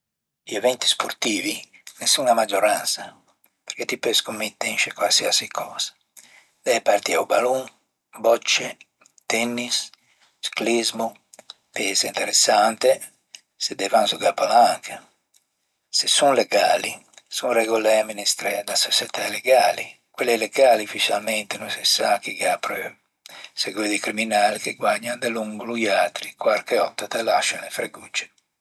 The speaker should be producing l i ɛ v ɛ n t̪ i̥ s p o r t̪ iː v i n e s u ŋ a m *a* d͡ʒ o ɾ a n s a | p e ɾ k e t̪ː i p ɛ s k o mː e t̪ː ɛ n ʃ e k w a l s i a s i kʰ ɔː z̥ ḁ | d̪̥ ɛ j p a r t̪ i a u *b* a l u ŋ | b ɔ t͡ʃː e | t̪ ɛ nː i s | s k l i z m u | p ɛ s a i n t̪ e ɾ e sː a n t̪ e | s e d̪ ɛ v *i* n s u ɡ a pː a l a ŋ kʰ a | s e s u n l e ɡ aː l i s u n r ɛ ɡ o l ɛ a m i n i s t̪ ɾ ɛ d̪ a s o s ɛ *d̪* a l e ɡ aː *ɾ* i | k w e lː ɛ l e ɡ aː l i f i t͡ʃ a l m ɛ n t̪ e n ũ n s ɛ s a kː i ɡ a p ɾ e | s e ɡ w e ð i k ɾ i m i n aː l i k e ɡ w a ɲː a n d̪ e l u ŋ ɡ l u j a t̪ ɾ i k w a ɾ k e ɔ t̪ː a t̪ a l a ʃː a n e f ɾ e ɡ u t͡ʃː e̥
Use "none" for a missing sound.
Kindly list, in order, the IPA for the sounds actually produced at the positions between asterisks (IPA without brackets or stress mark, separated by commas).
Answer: a, b, a, t̪, l